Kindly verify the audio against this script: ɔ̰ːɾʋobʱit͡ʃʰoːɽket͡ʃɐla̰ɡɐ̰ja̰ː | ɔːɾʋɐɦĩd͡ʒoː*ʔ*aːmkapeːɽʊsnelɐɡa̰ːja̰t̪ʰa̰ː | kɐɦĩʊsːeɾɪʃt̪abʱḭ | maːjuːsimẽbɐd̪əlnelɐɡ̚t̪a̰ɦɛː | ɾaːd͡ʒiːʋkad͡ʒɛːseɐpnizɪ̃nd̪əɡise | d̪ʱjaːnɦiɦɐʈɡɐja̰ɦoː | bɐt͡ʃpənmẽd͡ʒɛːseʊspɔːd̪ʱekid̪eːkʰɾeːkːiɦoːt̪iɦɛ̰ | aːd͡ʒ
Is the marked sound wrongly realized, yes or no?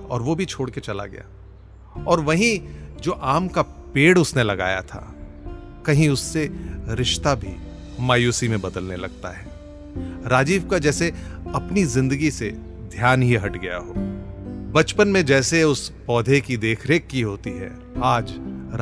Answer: no